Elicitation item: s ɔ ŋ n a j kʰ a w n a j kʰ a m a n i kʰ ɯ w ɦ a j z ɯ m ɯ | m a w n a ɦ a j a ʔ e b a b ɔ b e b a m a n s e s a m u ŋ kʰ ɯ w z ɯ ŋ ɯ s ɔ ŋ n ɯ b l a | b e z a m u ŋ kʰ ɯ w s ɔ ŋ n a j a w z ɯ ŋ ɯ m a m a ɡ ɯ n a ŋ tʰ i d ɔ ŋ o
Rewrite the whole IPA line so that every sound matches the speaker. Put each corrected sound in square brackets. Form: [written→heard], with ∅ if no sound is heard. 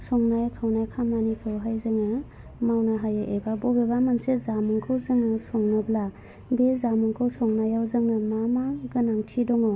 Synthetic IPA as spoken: s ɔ ŋ n a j kʰ a w n a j kʰ a m a n i kʰ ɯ w ɦ a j z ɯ [m→ŋ] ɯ | m a w n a ɦ a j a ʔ e b a b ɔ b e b a m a n s e [s→z] a m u ŋ kʰ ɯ w z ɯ ŋ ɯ s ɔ ŋ n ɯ b l a | b e z a m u ŋ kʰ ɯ w s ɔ ŋ n a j a w z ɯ ŋ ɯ m a m a ɡ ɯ n a ŋ tʰ i d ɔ ŋ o